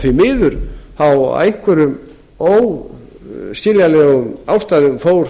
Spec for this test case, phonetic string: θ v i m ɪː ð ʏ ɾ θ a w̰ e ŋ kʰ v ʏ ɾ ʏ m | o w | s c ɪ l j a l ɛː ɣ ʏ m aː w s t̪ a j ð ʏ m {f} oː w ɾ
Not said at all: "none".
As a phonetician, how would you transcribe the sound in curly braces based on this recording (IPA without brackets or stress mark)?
f